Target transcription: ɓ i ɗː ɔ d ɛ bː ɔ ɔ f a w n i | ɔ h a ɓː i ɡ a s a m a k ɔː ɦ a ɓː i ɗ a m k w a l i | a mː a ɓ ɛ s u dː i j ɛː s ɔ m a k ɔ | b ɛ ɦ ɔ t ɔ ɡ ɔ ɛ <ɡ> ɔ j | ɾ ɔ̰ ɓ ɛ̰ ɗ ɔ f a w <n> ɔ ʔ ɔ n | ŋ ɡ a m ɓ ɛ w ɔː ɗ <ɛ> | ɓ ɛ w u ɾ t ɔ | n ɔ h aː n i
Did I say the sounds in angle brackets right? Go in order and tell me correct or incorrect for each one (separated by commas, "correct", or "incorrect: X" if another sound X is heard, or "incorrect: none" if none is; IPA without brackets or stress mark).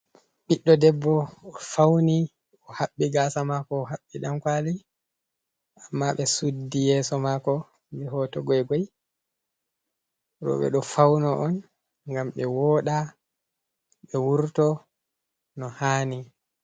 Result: correct, correct, incorrect: a